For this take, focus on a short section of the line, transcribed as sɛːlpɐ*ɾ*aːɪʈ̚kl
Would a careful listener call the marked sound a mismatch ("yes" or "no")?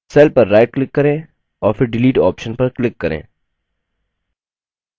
yes